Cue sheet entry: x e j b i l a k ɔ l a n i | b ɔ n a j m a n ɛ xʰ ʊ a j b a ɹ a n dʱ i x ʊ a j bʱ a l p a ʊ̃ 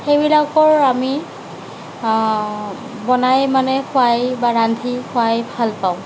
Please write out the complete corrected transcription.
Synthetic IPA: x e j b i l a k ɔ ɹ a m i | b ɔ n a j m a n ɛ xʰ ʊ a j b a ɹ a n dʱ i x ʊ a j bʱ a l p a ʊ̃